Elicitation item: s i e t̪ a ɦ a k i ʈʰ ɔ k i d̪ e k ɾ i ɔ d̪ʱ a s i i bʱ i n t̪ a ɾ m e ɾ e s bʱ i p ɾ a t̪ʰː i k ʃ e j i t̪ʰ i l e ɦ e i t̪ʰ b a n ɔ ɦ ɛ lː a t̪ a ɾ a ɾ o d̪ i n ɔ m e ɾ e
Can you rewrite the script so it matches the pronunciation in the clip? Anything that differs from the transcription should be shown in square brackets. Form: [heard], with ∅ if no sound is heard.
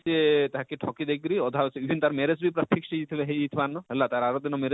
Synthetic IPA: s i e t̪ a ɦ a k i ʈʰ ɔ k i d̪ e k ɾ i ɔ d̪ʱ a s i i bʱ i n t̪ a ɾ m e ɾ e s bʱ i p ɾ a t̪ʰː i k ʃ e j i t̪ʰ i l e ɦ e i t̪ʰ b a n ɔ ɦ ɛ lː a t̪ a ɾ a ɾ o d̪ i n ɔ m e ɾ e